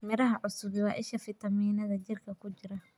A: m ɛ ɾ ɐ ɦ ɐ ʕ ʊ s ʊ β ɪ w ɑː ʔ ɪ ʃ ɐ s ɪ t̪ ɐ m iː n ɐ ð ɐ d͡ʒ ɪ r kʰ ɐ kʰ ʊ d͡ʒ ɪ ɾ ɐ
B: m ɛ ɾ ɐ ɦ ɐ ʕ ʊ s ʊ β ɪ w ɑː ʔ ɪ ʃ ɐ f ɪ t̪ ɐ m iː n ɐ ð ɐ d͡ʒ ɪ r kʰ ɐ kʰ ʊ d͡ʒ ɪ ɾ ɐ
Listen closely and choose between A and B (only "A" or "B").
B